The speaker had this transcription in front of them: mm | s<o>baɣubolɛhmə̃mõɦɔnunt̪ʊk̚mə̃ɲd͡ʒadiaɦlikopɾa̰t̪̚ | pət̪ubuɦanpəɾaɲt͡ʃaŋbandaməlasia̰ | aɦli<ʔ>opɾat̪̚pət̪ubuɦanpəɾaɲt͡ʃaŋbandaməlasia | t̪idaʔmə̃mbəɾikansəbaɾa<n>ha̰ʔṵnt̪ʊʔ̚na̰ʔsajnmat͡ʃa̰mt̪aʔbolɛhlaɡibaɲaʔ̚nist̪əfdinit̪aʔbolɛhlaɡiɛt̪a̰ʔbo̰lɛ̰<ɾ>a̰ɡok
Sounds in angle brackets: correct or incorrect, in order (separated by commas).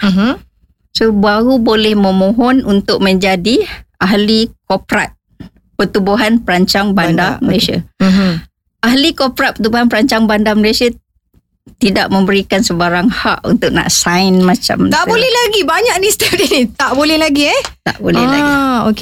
correct, incorrect, incorrect, incorrect